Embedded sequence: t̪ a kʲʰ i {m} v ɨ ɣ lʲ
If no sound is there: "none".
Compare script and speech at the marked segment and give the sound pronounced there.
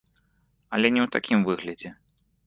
m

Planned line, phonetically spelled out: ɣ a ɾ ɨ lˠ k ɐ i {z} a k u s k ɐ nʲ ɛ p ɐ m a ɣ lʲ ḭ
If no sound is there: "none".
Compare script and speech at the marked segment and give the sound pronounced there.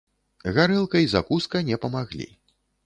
z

